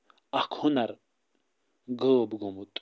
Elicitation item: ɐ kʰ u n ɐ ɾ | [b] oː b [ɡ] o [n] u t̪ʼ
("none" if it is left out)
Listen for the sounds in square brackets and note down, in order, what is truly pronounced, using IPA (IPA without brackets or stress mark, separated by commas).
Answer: ɡ, ɡ, m